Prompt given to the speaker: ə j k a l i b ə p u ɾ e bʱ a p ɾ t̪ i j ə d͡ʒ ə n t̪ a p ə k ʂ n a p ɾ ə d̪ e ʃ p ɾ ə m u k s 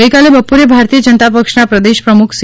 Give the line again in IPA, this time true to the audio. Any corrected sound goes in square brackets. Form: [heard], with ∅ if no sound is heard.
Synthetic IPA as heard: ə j k a l [e] b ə p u ɾ e bʱ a [∅] ɾ t̪ i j ə d͡ʒ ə n t̪ a p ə k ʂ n a p ɾ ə d̪ e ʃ p ɾ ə m u [kʰ] s